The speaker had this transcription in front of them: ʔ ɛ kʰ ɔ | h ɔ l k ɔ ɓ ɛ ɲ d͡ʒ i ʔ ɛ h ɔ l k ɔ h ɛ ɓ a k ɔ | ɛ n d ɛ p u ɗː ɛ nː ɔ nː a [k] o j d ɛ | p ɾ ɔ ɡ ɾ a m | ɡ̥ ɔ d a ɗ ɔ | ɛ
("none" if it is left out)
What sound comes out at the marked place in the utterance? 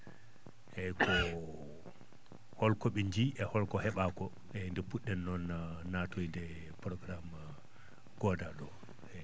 t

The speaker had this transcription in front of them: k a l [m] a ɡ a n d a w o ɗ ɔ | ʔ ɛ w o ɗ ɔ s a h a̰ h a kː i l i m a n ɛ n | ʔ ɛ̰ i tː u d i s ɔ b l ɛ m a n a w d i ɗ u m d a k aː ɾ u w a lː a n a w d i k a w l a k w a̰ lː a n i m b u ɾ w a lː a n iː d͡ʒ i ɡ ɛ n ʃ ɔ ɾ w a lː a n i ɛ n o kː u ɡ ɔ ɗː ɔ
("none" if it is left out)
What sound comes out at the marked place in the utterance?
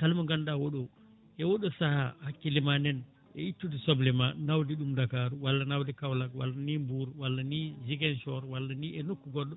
m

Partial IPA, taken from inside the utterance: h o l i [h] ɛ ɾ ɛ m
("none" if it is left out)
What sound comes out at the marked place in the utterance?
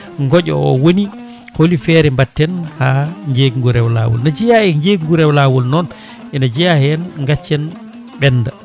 f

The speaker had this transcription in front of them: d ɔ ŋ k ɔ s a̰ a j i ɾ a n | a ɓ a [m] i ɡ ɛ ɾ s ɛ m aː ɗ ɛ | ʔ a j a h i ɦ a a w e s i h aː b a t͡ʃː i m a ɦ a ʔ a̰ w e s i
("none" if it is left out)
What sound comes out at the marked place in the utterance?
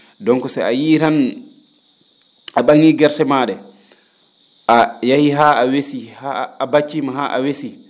ŋ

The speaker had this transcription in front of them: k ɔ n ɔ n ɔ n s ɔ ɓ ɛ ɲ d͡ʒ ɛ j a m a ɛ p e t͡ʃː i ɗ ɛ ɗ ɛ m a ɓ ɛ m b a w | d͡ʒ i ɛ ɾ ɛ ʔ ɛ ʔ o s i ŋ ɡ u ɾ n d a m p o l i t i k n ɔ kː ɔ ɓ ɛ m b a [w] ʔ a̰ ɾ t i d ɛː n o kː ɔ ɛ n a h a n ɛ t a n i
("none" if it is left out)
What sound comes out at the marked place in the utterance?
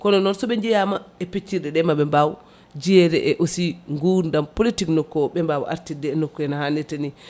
w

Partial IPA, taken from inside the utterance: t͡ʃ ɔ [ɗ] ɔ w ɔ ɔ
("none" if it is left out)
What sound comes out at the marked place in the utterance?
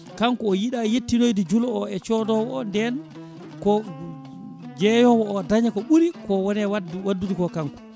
d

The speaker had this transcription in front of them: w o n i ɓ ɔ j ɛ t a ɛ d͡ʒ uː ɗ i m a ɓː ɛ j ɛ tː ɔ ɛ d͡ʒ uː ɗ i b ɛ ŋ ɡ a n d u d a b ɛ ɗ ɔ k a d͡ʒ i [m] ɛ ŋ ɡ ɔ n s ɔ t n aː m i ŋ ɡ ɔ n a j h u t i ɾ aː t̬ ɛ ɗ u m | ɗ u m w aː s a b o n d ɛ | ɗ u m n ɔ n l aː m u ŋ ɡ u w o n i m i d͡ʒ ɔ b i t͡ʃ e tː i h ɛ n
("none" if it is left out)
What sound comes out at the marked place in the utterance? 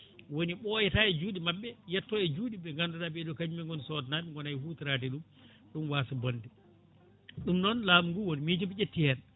m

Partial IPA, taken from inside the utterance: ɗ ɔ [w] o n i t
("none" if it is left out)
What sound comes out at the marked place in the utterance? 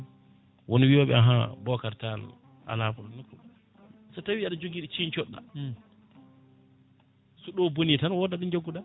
b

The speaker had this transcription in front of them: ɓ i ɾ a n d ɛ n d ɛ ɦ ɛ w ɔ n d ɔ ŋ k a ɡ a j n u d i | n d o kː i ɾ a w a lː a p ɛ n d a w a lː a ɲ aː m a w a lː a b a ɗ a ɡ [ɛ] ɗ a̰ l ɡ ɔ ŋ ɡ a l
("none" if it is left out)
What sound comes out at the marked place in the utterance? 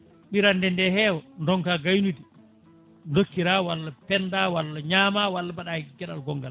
ɛ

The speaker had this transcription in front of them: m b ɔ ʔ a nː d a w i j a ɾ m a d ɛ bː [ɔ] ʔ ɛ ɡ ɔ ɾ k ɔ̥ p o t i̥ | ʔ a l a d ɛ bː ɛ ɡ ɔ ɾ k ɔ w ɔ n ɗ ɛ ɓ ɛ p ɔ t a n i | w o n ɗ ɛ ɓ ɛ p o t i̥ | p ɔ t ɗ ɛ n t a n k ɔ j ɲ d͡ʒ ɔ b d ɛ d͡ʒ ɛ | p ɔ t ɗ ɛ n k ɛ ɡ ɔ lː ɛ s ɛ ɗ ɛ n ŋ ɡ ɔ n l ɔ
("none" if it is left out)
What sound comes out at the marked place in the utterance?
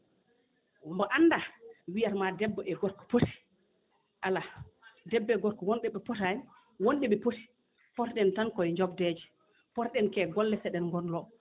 ɔ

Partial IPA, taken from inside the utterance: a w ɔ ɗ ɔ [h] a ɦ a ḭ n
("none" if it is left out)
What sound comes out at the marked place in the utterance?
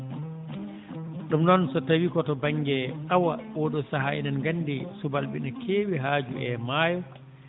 s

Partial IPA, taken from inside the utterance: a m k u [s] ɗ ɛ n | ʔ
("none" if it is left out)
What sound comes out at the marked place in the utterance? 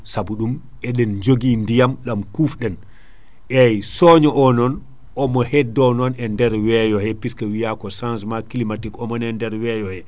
f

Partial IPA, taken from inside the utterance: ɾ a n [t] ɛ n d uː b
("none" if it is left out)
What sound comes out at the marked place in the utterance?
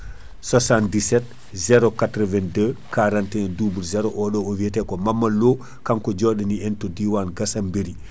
t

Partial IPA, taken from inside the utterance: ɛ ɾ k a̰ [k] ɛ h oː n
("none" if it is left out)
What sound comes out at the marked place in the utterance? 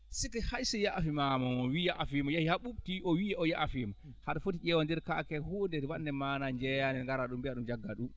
k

